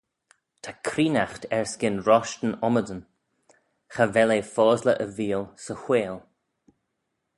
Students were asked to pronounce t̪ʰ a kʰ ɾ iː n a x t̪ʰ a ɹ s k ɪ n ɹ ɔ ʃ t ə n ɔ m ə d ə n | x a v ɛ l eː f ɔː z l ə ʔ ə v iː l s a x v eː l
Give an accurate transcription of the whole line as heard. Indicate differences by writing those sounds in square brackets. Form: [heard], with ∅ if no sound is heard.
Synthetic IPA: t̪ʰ a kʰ ɾ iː n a x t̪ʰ [ɛ] ɹ s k ɪ n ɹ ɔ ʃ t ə n ɔ m ə d ə n | x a v ɛ l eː f ɔː z l ə ʔ ə v iː l s [ə] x [w] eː l